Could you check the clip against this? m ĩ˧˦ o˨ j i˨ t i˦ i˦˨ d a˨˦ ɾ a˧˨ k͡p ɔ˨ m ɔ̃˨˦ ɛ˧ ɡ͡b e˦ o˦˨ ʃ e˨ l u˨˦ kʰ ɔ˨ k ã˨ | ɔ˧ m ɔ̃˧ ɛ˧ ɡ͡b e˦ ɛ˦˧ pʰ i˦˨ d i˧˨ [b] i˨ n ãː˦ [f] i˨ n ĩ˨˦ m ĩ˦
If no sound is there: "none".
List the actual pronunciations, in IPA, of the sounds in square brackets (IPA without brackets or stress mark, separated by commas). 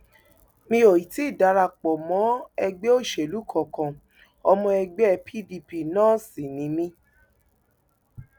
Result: p, s